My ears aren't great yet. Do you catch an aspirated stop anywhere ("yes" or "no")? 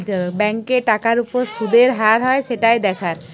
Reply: yes